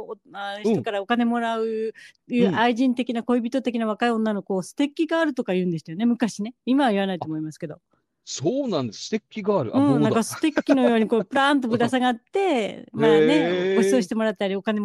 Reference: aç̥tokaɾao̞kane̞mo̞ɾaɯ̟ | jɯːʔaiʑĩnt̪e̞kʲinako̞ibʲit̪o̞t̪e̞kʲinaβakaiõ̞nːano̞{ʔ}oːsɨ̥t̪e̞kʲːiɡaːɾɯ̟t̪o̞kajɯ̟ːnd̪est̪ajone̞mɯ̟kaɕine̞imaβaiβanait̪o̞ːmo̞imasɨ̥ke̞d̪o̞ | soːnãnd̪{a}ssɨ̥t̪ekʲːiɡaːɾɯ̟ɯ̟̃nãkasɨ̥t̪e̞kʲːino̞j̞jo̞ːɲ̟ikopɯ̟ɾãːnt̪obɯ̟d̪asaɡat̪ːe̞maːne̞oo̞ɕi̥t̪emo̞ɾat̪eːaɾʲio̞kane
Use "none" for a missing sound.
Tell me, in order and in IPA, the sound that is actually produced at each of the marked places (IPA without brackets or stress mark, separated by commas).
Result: k, e